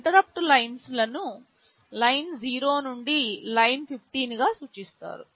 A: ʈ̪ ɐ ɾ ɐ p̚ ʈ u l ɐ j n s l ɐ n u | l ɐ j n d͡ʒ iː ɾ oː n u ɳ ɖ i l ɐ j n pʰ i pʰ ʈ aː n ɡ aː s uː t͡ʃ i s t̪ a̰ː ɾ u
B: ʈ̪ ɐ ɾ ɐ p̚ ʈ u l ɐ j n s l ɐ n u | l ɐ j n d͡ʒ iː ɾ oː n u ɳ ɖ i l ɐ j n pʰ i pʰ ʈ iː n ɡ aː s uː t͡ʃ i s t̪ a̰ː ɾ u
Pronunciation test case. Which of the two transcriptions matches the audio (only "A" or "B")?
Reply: B